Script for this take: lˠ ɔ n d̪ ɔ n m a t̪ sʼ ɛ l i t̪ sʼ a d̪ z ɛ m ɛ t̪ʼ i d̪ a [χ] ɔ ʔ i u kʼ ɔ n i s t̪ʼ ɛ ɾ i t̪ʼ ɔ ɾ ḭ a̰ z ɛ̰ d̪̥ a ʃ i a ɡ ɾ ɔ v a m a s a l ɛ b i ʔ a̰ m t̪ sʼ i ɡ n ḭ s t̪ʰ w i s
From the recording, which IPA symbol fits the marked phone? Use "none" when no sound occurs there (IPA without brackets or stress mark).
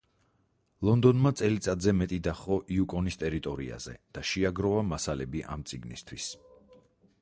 χ